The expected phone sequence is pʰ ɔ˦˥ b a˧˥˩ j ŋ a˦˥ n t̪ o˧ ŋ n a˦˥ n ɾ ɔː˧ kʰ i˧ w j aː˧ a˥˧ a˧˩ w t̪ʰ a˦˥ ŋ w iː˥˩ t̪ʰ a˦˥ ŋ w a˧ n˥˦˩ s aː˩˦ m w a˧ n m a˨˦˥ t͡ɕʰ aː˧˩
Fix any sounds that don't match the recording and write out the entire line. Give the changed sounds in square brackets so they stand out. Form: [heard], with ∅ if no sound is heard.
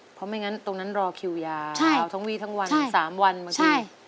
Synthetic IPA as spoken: pʰ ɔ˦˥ [m] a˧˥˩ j ŋ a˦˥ n t̪ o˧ ŋ n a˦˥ n ɾ ɔː˧ kʰ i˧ w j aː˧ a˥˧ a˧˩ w t̪ʰ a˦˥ ŋ w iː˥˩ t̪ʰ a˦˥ ŋ w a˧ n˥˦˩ s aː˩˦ m w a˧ n m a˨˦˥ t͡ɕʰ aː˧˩